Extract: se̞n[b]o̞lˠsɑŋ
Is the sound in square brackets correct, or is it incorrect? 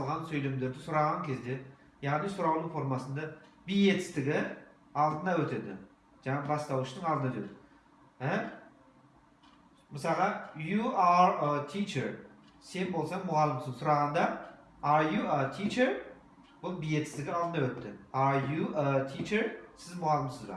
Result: correct